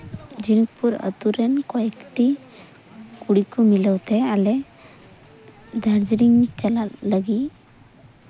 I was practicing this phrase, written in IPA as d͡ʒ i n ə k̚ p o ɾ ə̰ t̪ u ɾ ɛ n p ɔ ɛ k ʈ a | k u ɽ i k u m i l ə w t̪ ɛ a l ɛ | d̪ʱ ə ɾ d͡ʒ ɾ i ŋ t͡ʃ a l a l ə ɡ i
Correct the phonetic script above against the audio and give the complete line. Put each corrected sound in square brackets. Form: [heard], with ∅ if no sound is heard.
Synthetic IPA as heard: d͡ʒ i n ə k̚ p [u] ɾ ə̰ t̪ u ɾ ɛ n [k] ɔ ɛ k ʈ [i] | k u ɽ i k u m i l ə w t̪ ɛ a l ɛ | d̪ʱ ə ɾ d͡ʒ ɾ i ŋ t͡ʃ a l a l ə ɡ i

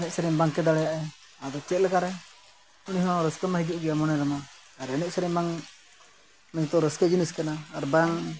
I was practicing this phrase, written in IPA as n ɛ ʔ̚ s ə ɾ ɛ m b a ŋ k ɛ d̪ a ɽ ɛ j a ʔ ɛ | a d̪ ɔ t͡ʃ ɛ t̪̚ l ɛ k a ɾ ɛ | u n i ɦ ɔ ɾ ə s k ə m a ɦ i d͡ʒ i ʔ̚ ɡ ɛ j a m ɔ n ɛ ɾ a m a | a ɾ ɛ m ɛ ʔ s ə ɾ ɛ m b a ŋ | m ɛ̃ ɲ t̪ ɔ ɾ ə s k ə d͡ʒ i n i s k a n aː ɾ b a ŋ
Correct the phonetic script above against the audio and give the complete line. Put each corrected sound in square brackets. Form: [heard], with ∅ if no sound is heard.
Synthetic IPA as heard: n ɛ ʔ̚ s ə ɾ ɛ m b a ŋ k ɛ d̪ a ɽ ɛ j a ʔ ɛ | a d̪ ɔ t͡ʃ ɛ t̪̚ l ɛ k a ɾ ɛ | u n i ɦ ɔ ɾ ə s k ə m a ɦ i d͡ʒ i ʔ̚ ɡ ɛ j a m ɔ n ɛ ɾ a m a | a ɾ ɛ [n] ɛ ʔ s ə ɾ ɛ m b a ŋ | m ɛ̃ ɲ t̪ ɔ ɾ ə s k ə d͡ʒ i n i s k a n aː ɾ b a ŋ

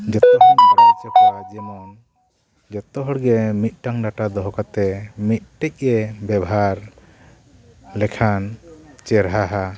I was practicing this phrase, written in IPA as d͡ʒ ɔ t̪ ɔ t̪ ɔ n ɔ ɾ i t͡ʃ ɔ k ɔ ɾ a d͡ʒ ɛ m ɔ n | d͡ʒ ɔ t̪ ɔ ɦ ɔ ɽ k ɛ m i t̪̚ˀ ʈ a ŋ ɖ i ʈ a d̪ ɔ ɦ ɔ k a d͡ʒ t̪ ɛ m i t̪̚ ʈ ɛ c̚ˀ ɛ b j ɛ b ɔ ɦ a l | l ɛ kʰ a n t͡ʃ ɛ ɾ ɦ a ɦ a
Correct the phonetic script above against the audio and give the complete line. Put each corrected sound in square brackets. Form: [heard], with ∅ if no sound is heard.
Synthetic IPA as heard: d͡ʒ ɔ t̪ ɔ t̪ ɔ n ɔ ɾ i t͡ʃ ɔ k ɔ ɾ a d͡ʒ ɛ m ɔ n | d͡ʒ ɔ t̪ ɔ ɦ ɔ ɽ [ɡ] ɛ m i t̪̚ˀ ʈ a ŋ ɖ [a] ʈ a d̪ ɔ ɦ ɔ k a [∅] t̪ ɛ m i t̪̚ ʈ ɛ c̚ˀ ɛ b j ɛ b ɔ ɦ a [ɾ] | l ɛ kʰ a n t͡ʃ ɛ ɾ ɦ a ɦ a

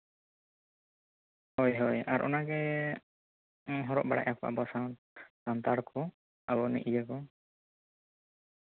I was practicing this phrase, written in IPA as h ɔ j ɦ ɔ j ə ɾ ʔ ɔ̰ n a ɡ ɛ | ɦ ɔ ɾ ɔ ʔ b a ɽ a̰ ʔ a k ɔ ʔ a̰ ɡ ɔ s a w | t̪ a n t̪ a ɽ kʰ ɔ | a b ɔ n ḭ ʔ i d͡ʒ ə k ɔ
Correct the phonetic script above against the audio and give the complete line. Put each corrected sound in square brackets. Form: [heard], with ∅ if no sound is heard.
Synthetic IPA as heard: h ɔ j ɦ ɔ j [a] ɾ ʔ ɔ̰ n a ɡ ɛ | ɦ ɔ ɾ ɔ ʔ b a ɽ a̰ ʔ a k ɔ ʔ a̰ [b] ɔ s a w | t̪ a n t̪ a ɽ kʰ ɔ | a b ɔ n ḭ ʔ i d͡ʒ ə k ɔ

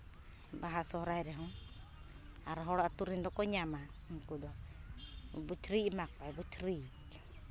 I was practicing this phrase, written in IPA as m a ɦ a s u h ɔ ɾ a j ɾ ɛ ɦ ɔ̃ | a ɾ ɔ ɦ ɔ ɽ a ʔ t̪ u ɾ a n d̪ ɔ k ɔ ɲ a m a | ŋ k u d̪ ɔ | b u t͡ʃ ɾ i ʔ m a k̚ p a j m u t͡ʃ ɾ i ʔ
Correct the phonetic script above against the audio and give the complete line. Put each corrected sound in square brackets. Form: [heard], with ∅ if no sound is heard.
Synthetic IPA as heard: [b] a ɦ a s [ɔ] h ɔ ɾ a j ɾ ɛ ɦ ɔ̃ | a ɾ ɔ ɦ ɔ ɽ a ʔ t̪ u ɾ [i] n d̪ ɔ k ɔ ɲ a m a | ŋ k u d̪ ɔ | b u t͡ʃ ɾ i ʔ m a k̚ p a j [b] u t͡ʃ ɾ i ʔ

